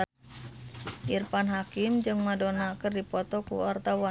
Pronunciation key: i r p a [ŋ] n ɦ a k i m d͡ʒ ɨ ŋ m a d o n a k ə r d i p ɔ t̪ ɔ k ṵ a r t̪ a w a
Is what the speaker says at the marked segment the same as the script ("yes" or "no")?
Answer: no